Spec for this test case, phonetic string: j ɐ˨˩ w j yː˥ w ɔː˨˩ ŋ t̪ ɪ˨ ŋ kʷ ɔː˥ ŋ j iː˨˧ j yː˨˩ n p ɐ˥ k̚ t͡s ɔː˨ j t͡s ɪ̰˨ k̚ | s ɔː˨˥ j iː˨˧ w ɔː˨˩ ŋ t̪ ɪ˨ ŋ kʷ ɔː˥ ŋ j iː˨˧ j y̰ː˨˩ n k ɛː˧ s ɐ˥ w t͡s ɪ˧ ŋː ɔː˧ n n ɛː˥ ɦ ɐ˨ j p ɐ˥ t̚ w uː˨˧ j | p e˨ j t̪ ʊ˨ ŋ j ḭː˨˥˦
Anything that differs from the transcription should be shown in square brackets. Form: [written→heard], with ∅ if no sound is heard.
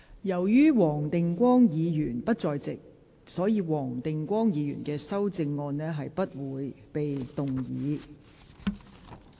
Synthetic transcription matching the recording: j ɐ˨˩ w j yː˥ w ɔː˨˩ ŋ t̪ ɪ˨ ŋ kʷ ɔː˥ ŋ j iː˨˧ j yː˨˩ n p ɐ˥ [k̚→t̚] t͡s ɔː˨ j t͡s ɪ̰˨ k̚ | s ɔː˨˥ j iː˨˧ w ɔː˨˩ ŋ t̪ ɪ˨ ŋ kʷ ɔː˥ ŋ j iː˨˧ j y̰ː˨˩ n k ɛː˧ s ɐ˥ w t͡s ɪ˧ ŋː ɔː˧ n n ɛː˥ ɦ ɐ˨ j p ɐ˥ t̚ w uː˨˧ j | p e˨ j t̪ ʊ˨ ŋ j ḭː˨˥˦